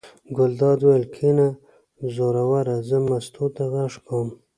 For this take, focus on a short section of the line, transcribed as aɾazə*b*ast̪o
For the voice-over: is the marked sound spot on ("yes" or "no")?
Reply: no